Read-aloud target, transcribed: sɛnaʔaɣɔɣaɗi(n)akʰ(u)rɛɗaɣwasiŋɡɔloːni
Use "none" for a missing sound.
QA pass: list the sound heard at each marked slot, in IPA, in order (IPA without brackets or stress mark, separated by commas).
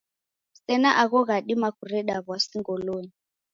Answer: m, u